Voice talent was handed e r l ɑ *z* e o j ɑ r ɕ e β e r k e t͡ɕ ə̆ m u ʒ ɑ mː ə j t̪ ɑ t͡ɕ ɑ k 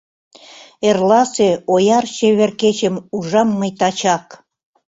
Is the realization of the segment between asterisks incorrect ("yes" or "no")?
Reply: yes